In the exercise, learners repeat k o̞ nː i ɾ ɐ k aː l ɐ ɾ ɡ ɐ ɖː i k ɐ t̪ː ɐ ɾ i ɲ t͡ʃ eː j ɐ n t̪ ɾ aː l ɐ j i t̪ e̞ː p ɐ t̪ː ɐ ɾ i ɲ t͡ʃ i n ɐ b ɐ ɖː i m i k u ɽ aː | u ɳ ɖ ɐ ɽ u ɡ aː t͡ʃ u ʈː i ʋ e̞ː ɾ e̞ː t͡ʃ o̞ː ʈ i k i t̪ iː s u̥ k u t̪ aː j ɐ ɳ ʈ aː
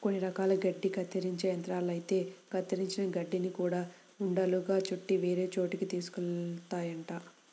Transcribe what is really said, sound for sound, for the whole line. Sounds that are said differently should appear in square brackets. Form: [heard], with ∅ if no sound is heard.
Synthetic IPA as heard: k o̞ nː i ɾ ɐ k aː l ɐ [∅] ɡ ɐ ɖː i k ɐ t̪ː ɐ ɾ i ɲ t͡ʃ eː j ɐ n t̪ ɾ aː l ɐ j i t̪ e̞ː [k] ɐ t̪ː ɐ ɾ i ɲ t͡ʃ i n ɐ [ɡ] ɐ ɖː i [n] i k [uː] ɽ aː | u ɳ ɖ ɐ [l] u ɡ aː t͡ʃ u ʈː i ʋ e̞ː ɾ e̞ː t͡ʃ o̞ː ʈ i k i t̪ iː s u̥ k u t̪ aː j ɐ ɳ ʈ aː